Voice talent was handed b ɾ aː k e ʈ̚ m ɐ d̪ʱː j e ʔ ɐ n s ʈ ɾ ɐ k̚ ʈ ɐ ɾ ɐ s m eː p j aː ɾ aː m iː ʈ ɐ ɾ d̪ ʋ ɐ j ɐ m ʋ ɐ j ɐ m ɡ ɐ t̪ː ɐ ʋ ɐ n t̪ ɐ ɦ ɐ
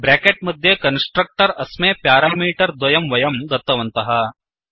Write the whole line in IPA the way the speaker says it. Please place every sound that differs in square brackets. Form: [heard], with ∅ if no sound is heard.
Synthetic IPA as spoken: b ɾ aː k e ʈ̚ m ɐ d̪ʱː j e [k] ɐ n s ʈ ɾ ɐ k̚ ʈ ɐ ɾ ɐ s m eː p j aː ɾ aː m iː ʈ ɐ ɾ d̪ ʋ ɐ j ɐ m ʋ ɐ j ɐ m ɡ ɐ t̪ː ɐ ʋ ɐ n t̪ ɐ ɦ ɐ

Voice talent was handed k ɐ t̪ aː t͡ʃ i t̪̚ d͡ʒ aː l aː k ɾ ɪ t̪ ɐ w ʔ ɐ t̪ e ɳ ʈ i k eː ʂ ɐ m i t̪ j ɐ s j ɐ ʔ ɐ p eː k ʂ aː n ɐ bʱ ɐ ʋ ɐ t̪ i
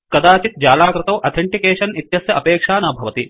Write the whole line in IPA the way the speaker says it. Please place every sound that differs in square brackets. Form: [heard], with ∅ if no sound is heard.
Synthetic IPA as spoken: k ɐ [d̪] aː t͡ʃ i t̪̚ d͡ʒ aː l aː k ɾ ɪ t̪ ɐ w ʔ ɐ [t̪ʰ] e ɳ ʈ i k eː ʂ ɐ [n] i t̪ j ɐ s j ɐ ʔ ɐ p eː k ʂ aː n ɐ bʱ ɐ ʋ ɐ t̪ i

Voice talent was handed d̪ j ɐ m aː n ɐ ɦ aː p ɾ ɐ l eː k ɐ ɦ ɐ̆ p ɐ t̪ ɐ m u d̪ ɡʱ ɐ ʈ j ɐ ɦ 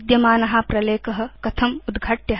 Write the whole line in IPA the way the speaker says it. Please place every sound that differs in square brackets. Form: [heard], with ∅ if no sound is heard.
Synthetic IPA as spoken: d̪ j ɐ m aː n ɐ ɦ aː p ɾ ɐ l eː k ɐ ɦ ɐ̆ [k] ɐ [t̪ʰ] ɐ m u d̪ ɡʱ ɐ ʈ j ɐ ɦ

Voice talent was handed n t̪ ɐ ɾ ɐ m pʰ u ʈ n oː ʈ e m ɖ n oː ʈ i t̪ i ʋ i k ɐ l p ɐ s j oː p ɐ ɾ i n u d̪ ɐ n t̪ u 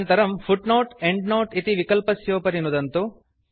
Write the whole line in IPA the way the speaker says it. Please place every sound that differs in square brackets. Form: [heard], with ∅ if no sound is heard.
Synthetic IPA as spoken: n t̪ ɐ ɾ ɐ m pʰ u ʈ n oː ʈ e [ɳ] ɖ n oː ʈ i t̪ i ʋ i k ɐ l p ɐ s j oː p ɐ ɾ i n u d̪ ɐ n t̪ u

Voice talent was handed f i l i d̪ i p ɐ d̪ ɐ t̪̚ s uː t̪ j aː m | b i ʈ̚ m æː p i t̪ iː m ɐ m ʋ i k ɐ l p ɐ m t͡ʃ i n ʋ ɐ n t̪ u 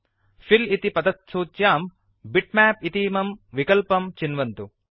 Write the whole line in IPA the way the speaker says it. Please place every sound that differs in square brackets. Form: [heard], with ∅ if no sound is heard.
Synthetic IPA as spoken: f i l i [t̪] i p ɐ d̪ ɐ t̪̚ s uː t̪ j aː m | b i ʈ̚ m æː p i t̪ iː m ɐ m ʋ i k ɐ l p ɐ m t͡ʃ i n ʋ ɐ n t̪ u

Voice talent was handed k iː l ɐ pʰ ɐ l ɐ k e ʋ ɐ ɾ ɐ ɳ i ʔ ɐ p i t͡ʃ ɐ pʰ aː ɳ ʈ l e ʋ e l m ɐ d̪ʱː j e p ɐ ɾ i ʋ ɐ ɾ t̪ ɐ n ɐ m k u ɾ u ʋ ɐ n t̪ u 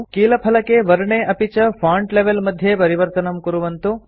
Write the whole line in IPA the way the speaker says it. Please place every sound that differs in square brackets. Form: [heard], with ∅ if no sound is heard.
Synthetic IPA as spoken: k iː l ɐ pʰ ɐ l ɐ k e ʋ ɐ ɾ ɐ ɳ [e] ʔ ɐ p i t͡ʃ ɐ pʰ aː ɳ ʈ l e ʋ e l m ɐ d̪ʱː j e p ɐ ɾ i ʋ ɐ ɾ t̪ ɐ n ɐ m k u ɾ u ʋ ɐ n t̪ u

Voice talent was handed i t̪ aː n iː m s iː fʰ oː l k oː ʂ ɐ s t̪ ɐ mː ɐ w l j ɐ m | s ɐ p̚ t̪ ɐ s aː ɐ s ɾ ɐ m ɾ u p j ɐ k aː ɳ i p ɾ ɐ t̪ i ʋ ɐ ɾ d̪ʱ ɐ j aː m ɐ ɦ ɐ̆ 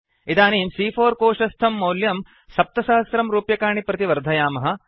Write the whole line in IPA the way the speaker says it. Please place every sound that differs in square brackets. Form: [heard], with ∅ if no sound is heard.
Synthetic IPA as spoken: i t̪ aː n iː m s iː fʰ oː [ɾ] k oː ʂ ɐ s [t̪ʰ] ɐ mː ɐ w l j ɐ m | s ɐ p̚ t̪ ɐ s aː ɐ s ɾ ɐ m ɾ [uː] p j ɐ k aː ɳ i p ɾ ɐ t̪ i ʋ ɐ ɾ d̪ʱ ɐ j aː m ɐ ɦ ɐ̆

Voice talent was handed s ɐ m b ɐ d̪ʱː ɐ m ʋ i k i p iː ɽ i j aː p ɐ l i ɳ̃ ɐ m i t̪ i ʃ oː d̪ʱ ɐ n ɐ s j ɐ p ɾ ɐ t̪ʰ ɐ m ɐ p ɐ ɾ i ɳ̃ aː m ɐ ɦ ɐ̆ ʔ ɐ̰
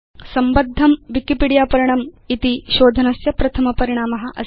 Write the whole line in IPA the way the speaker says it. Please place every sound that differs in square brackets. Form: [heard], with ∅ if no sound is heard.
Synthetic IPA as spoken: s ɐ m b ɐ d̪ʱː ɐ m ʋ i k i p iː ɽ i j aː p ɐ [ɾ] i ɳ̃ ɐ m i t̪ i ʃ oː d̪ʱ ɐ n ɐ s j ɐ p ɾ ɐ t̪ʰ ɐ m ɐ p ɐ ɾ i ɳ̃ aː m ɐ ɦ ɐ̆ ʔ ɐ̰

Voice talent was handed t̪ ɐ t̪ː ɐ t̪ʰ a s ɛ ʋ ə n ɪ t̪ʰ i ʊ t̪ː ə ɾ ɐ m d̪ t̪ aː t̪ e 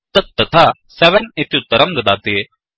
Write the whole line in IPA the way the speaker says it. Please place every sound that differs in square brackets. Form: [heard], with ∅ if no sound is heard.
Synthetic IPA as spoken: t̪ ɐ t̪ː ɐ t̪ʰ a s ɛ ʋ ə n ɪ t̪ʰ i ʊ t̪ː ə ɾ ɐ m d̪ [d̪] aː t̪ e

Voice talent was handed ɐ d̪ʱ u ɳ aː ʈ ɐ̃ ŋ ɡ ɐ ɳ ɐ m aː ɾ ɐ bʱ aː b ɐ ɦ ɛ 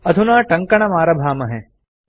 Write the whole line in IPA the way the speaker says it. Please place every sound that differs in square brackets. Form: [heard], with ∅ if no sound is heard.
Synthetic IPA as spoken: ɐ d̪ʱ u [n] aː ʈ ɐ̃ ŋ [k] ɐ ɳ ɐ m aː ɾ ɐ bʱ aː [m] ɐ ɦ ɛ

